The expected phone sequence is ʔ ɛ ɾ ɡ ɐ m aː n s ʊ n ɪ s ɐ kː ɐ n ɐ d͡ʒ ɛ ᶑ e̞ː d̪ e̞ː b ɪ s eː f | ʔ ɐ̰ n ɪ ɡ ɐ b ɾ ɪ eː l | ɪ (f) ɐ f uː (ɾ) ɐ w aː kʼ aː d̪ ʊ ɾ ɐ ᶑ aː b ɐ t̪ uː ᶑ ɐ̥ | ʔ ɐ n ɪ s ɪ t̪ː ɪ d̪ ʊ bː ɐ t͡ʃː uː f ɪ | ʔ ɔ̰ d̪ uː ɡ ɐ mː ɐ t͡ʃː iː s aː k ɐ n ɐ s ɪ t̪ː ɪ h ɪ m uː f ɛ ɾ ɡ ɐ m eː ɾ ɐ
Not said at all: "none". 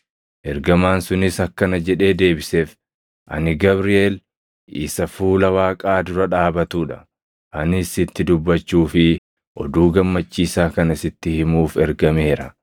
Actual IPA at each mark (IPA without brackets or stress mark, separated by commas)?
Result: s, l